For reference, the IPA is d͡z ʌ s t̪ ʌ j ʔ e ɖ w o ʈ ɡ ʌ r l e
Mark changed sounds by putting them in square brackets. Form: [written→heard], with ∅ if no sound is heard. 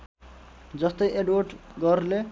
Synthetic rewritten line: d͡z ʌ s t̪ ʌ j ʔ e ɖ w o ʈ ɡ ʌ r l e

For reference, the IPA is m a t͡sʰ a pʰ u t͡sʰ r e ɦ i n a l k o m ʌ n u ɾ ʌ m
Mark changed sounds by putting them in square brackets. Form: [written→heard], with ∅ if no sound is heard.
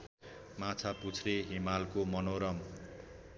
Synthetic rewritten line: m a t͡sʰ a [pʰ→p] u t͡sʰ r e ɦ i [n→m] a l k o m ʌ n [u→o] ɾ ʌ m

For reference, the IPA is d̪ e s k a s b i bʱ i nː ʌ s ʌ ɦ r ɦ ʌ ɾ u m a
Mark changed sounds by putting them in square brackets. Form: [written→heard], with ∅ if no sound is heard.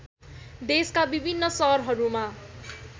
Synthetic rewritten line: d̪ e s k a [s→∅] b i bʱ i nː ʌ s ʌ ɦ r ɦ ʌ ɾ u m a

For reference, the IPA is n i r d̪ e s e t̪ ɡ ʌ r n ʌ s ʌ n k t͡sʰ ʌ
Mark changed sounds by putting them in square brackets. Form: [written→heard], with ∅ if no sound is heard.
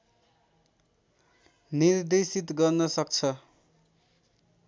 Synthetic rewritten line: n i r d̪ e s [e→i] t̪ ɡ ʌ r n ʌ s ʌ [n→∅] k t͡sʰ ʌ

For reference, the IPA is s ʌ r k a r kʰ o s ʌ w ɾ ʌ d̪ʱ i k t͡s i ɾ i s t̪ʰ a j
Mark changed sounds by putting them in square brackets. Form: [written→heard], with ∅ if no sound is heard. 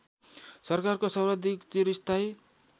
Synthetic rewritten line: s ʌ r k a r [kʰ→k] o s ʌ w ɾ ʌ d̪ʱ i k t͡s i ɾ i s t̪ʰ a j

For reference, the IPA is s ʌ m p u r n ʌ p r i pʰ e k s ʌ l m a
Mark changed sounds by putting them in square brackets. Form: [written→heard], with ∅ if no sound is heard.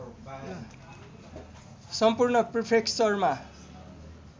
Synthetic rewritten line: s ʌ m p u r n ʌ p r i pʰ e k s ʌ [l→r] m a

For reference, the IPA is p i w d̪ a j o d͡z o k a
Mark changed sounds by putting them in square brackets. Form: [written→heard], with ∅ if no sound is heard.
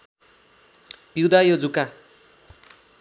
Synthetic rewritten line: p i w d̪ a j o d͡z [o→u] k a

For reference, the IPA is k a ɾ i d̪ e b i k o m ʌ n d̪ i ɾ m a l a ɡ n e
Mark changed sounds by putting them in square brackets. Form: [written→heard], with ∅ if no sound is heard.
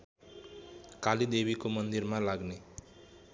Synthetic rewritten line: k a [ɾ→l] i d̪ e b i k o m ʌ n d̪ i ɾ m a l a ɡ n e

